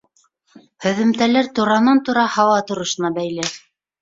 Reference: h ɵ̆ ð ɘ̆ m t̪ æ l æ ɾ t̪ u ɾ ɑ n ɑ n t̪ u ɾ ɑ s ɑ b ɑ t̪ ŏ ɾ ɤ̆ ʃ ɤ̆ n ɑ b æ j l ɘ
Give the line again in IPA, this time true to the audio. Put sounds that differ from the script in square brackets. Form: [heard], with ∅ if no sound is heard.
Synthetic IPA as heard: h ɵ̆ ð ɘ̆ m t̪ æ l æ ɾ t̪ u ɾ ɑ n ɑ n t̪ u ɾ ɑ [h] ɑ [w] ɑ t̪ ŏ ɾ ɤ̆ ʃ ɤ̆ n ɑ b æ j l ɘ